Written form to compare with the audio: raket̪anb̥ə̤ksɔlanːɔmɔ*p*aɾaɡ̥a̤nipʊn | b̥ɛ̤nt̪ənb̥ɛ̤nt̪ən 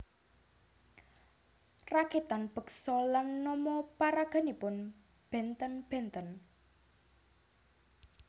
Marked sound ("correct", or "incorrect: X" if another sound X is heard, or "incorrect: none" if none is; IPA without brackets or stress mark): correct